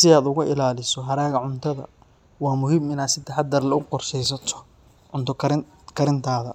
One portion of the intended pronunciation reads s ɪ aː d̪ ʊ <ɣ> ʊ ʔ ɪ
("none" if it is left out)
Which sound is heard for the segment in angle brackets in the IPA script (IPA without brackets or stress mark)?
ɣ